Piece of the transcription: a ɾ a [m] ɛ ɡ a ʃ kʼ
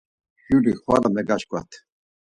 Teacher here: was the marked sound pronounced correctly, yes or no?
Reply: yes